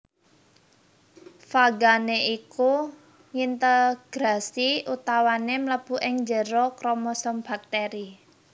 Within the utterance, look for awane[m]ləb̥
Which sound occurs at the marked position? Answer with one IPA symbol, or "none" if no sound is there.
m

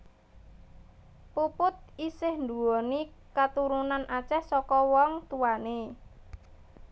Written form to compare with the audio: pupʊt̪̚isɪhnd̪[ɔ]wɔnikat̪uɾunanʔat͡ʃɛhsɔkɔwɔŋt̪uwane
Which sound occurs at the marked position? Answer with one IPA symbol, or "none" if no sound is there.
u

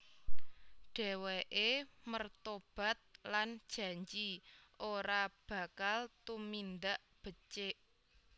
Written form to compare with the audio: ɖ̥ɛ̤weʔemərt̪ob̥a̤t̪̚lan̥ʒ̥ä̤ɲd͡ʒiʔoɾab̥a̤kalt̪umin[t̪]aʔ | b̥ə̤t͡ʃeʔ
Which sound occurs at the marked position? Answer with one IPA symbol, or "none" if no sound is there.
d̪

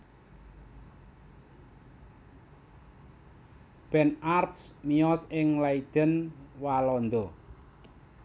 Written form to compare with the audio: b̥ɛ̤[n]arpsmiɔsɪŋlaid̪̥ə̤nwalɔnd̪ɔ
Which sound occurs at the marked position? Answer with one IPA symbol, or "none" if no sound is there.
n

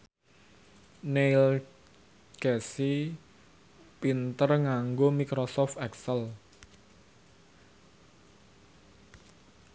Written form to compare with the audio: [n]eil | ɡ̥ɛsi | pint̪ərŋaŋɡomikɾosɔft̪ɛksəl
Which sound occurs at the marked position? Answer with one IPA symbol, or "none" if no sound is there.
n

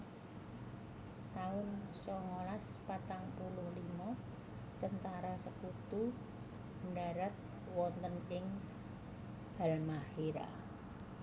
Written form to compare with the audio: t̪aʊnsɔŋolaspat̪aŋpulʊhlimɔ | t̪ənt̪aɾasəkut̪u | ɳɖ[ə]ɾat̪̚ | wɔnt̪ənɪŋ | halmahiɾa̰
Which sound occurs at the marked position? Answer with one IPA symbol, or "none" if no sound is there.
a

